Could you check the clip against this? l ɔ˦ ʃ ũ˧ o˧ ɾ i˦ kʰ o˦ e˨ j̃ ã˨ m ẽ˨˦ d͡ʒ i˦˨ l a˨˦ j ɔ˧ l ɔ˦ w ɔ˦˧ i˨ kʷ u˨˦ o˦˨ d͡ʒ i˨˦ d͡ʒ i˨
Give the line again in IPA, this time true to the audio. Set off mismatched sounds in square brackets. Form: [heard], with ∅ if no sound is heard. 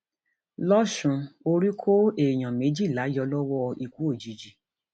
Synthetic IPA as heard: l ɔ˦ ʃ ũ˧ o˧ ɾ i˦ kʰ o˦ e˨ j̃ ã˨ m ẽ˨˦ d͡ʒ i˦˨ l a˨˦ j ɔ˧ l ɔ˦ w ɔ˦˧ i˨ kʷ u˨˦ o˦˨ d͡ʒ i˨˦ d͡ʒ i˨